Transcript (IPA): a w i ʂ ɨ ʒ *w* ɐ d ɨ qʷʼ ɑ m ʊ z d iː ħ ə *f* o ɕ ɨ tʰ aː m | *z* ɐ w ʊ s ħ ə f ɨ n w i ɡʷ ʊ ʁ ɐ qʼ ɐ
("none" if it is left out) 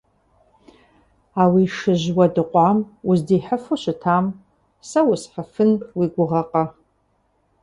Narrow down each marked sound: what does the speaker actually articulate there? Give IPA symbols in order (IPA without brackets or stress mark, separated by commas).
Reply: w, f, s